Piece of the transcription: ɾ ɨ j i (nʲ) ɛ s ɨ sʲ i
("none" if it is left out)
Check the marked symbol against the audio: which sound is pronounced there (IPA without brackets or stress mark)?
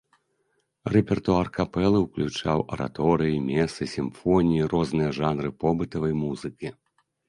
mʲ